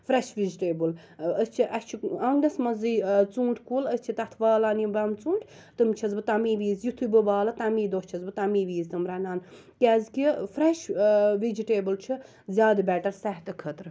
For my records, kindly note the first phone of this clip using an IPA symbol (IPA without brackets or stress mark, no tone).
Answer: f